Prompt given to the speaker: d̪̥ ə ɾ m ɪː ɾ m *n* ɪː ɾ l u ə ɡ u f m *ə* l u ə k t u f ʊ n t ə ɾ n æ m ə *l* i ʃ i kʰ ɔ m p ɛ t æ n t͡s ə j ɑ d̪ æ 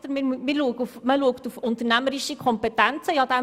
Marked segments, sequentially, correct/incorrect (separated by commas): incorrect, correct, incorrect